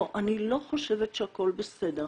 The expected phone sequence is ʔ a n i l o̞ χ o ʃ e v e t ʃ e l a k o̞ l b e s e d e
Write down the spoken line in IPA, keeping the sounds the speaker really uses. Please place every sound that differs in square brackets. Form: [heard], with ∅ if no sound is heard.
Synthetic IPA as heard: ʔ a n i l o̞ χ o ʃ e v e t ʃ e [∅] a k o̞ l b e s e d e